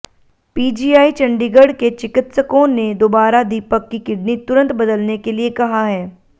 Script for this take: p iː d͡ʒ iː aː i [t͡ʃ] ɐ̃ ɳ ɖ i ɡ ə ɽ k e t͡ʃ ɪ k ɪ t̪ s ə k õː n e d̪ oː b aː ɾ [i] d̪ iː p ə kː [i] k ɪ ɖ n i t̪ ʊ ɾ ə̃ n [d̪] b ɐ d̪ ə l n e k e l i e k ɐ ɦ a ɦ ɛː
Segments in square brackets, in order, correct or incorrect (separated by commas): correct, incorrect, correct, incorrect